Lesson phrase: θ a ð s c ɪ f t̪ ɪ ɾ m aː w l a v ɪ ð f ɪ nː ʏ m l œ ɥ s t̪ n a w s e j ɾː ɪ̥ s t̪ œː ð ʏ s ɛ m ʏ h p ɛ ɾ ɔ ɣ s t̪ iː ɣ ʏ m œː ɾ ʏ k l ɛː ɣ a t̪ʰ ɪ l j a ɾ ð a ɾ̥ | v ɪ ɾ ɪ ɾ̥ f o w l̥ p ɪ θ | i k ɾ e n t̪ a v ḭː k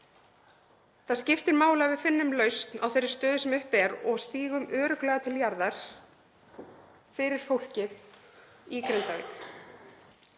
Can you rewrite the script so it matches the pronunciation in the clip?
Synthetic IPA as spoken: θ a ð s c ɪ f t̪ ɪ ɾ m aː w l a v ɪ ð f ɪ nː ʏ m l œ ɥ s t̪ n a w θ e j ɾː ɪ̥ s t̪ œː ð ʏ s ɛ m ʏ h p ɛ ɾ ɔ ɣ s t̪ iː ɣ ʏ m œː ɾ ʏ k l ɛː ɣ a t̪ʰ ɪ l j a ɾ ð a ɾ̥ | f ɪ ɾ ɪ ɾ̥ f o w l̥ c ɪ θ | i k ɾ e n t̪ a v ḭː k